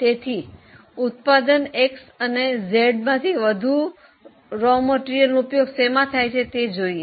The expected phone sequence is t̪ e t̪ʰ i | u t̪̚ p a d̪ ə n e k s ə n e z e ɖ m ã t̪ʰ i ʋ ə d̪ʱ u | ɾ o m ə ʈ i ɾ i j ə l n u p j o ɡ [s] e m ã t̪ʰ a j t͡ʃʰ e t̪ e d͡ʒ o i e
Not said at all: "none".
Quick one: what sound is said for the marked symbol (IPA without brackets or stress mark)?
s